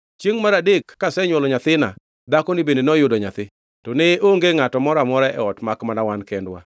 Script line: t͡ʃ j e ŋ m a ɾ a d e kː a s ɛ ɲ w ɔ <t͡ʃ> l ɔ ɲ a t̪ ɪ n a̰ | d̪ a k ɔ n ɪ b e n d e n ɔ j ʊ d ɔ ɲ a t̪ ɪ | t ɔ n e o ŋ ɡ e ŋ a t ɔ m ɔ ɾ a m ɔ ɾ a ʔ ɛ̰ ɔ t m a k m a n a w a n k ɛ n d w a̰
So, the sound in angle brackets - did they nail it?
no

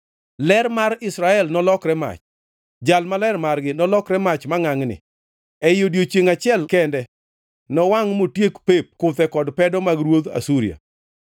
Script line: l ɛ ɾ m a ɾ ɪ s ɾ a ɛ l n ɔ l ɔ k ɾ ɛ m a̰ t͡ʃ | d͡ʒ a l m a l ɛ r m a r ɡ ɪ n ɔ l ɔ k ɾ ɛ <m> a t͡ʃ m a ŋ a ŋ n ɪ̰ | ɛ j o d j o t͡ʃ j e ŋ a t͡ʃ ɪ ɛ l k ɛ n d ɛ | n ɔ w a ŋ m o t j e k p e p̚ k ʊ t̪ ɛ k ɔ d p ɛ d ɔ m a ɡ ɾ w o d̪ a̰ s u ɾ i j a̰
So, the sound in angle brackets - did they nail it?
yes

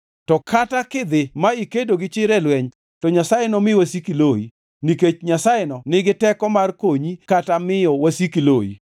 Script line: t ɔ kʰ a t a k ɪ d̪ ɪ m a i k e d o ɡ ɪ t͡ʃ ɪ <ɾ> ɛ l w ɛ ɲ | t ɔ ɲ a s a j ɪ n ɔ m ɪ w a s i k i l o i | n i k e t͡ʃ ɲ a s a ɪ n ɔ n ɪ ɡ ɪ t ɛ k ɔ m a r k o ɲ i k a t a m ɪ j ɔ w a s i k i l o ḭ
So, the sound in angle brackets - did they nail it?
yes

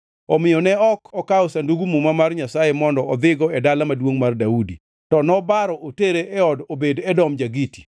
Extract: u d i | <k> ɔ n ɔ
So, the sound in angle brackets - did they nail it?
no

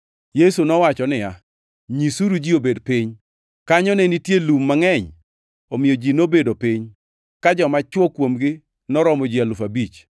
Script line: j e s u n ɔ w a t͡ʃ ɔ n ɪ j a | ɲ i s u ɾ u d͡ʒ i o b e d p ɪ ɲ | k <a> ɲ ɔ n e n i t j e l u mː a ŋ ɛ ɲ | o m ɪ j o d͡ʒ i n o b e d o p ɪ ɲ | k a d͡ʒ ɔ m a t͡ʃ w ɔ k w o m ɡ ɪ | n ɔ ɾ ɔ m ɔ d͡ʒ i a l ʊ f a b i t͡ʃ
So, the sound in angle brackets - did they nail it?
yes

